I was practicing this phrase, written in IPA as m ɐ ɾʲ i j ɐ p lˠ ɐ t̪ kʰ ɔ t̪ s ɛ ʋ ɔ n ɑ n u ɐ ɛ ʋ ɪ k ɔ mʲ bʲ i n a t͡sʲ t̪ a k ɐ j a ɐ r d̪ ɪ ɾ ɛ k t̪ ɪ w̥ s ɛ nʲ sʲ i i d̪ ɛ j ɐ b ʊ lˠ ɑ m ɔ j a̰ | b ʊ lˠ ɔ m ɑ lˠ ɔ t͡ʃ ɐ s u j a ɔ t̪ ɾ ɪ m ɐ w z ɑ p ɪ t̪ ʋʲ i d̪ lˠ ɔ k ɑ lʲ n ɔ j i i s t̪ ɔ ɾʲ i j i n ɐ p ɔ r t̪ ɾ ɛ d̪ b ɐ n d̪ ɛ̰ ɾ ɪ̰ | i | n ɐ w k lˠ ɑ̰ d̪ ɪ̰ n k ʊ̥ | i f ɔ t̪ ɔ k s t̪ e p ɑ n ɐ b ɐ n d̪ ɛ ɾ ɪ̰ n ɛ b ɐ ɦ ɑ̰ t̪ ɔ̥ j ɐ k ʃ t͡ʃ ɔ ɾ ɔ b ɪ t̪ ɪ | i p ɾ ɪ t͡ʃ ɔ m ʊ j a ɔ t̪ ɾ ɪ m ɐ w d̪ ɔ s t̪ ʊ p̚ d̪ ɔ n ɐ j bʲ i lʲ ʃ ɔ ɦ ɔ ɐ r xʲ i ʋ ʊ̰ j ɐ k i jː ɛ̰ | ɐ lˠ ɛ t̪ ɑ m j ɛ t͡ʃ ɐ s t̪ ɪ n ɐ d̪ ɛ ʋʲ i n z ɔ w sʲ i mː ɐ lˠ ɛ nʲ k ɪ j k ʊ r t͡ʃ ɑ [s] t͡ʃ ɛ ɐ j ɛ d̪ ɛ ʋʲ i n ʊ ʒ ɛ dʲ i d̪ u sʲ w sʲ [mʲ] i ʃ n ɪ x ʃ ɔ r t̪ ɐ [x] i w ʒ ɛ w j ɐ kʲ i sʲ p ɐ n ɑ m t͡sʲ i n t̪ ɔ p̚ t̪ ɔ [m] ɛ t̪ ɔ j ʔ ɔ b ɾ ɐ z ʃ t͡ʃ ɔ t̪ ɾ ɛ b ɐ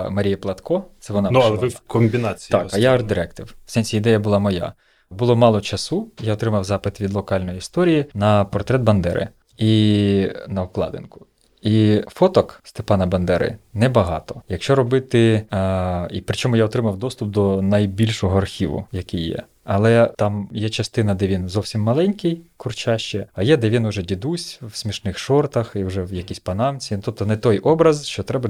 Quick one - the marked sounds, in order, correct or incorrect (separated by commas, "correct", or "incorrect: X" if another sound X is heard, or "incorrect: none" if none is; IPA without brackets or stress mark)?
incorrect: ʃ, correct, correct, incorrect: n